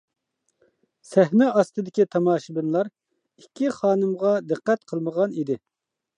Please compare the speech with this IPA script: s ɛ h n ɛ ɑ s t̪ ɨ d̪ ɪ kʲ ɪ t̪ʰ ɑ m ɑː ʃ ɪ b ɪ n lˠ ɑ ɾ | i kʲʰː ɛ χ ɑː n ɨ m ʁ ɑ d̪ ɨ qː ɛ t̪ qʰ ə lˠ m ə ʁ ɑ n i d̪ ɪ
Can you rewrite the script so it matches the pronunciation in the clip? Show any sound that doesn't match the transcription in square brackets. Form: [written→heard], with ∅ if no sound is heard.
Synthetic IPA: s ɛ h n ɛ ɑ s t̪ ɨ d̪ ɪ kʲ [ɪ→i] t̪ʰ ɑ m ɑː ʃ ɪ b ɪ n lˠ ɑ ɾ | i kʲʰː [ɛ→i] χ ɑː n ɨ m ʁ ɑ d̪ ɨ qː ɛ t̪ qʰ ə lˠ m ə ʁ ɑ n i d̪ ɪ

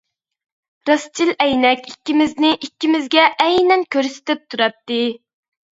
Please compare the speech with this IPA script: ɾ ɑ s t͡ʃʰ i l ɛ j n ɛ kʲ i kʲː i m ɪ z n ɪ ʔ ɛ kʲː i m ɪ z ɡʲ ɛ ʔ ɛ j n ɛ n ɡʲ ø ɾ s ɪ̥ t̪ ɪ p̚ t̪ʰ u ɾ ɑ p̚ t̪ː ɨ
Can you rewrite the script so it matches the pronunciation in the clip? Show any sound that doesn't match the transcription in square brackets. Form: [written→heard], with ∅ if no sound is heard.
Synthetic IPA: ɾ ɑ s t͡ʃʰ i l ɛ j n ɛ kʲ i kʲː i m ɪ z n ɪ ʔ [ɛ→i] kʲː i m ɪ z ɡʲ ɛ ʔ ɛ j n ɛ n [ɡʲ→kʲ] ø ɾ s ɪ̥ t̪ ɪ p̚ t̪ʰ u ɾ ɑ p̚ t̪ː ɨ

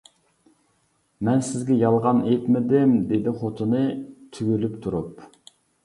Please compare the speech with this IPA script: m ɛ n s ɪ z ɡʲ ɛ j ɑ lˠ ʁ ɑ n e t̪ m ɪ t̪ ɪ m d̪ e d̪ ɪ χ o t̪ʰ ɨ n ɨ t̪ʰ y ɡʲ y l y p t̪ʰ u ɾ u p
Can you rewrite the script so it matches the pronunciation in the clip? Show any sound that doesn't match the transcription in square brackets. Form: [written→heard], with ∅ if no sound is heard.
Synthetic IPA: m ɛ n s ɪ z ɡʲ ɛ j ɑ lˠ ʁ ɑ n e t̪ m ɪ [t̪→d̪] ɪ m d̪ e d̪ ɪ χ o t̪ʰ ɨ n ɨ t̪ʰ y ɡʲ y l y p t̪ʰ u ɾ u p

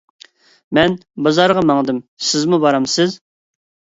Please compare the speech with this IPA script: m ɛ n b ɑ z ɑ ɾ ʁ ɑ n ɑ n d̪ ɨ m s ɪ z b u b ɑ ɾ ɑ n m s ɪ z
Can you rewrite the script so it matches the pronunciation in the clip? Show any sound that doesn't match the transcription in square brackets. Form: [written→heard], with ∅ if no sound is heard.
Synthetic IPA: m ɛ n b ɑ z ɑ ɾ ʁ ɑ [n→m] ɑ [n→ŋ] d̪ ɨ m s ɪ z [b→m] u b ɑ ɾ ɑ [n→∅] m s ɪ z

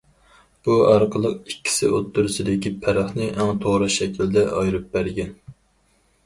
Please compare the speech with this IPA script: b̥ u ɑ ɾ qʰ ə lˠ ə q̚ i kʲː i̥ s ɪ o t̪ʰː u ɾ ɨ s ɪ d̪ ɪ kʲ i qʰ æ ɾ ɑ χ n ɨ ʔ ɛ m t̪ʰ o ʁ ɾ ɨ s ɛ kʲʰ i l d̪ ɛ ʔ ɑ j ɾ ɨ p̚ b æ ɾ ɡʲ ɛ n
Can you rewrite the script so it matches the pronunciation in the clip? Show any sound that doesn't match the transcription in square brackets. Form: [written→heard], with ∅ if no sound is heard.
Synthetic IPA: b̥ u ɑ ɾ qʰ ə lˠ ə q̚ i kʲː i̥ s ɪ o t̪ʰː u ɾ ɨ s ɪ d̪ ɪ kʲ i [qʰ→pʰ] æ ɾ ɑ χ n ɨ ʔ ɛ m t̪ʰ o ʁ ɾ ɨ [s→ʃ] ɛ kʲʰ i l d̪ ɛ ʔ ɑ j ɾ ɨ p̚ b æ ɾ ɡʲ ɛ n

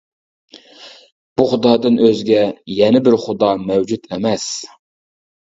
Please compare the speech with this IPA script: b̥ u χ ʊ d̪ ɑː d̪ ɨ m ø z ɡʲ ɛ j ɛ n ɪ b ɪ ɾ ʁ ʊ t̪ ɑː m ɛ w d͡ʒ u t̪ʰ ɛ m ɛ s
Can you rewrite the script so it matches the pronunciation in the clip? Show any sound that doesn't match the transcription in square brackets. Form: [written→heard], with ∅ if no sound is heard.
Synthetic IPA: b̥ u χ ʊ d̪ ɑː d̪ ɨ [m→n] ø z ɡʲ ɛ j ɛ n ɪ b ɪ ɾ [ʁ→χ] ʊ [t̪→d̪] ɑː m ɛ w d͡ʒ u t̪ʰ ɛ m ɛ s

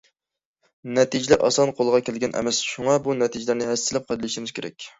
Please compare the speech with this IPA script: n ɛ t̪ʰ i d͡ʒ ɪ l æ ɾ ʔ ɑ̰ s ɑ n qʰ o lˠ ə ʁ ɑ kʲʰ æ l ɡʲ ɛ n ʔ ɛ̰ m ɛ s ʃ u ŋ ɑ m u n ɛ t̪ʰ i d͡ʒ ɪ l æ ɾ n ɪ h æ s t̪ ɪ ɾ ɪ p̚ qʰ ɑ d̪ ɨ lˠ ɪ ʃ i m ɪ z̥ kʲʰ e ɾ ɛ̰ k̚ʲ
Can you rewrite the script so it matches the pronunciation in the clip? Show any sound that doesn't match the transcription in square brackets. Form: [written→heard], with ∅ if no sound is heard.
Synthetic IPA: n ɛ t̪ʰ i d͡ʒ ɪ l æ ɾ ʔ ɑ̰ s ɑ n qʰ o lˠ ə ʁ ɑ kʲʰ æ l ɡʲ ɛ n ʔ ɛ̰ m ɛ s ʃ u ŋ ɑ [m→b] u n ɛ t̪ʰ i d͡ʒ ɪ l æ ɾ n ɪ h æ s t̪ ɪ [ɾ→l] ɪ p̚ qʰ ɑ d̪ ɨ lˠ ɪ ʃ i m ɪ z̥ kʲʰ e ɾ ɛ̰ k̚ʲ

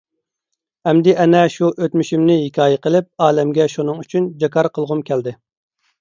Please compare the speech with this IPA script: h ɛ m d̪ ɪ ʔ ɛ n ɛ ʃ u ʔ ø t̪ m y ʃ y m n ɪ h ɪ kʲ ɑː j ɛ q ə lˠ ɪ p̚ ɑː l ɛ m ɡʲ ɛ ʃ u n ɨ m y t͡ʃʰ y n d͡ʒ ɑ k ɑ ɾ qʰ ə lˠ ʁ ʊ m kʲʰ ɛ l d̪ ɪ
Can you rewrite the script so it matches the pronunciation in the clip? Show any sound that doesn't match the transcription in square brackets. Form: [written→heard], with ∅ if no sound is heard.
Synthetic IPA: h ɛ m d̪ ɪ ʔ ɛ n ɛ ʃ u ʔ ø t̪ m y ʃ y m n ɪ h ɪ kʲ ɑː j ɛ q ə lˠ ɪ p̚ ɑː l ɛ m ɡʲ ɛ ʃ u n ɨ [m→ŋ] y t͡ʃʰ y n d͡ʒ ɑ k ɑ ɾ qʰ ə lˠ ʁ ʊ m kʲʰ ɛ l d̪ ɪ

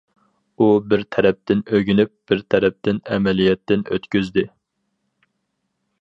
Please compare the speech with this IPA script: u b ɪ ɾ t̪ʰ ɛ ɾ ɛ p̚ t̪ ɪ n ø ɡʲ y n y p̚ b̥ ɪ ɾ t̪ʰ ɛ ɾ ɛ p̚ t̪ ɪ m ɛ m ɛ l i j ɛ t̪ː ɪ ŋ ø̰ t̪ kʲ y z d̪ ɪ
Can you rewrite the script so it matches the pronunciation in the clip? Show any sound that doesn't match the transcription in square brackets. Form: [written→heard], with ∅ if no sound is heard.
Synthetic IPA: u b ɪ ɾ t̪ʰ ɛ ɾ ɛ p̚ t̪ ɪ n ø ɡʲ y n y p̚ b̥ ɪ ɾ t̪ʰ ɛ ɾ ɛ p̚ t̪ ɪ [m→n] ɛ m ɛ l i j ɛ t̪ː ɪ [ŋ→n] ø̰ t̪ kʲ y z d̪ ɪ

